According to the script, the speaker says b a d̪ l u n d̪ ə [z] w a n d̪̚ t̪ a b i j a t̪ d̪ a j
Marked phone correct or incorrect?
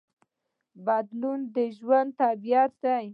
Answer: incorrect: ʒ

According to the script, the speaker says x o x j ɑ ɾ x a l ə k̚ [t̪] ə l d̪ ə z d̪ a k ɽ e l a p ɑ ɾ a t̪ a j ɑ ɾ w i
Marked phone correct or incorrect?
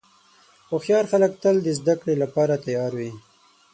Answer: correct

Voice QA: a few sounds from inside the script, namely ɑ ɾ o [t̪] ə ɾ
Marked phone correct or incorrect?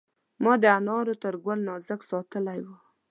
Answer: correct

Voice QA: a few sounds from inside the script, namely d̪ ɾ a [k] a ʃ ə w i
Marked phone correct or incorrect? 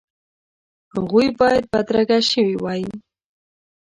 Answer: incorrect: ɡ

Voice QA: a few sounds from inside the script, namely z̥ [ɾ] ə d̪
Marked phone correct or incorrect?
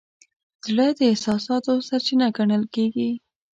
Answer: incorrect: ɽ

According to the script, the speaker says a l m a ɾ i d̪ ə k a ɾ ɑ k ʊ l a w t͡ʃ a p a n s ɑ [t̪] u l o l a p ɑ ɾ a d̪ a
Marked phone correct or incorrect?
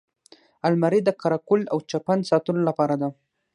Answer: correct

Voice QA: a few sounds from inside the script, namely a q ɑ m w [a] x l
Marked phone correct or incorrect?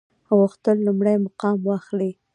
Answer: incorrect: ɑ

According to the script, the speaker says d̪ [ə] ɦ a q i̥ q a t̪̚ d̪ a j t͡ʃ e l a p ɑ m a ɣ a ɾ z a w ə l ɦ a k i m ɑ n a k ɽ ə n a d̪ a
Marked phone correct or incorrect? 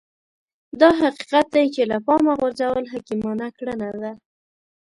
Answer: incorrect: ɑ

